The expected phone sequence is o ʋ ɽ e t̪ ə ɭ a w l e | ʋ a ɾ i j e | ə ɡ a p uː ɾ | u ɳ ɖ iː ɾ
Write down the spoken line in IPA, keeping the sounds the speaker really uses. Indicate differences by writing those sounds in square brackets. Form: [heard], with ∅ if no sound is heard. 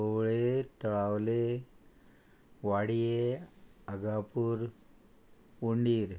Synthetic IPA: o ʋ [ɭ] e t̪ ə ɭ a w l e | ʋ a [ɽ] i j e | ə ɡ a p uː ɾ | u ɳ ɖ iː ɾ